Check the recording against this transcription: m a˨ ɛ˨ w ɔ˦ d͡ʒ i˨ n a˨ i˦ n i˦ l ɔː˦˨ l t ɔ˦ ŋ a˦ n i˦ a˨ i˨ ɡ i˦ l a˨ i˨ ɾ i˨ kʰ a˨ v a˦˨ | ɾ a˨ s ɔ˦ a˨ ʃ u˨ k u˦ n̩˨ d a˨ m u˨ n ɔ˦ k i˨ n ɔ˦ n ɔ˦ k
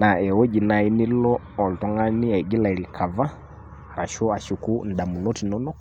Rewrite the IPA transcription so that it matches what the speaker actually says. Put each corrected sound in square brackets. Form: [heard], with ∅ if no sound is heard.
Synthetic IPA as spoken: [n] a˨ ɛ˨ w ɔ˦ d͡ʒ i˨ n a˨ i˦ n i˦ l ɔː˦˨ l t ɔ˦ ŋ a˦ n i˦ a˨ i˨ ɡ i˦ l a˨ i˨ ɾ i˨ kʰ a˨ v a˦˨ | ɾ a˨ [ʃ] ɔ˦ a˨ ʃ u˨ k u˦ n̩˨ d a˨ m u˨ n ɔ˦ [t] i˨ n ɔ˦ n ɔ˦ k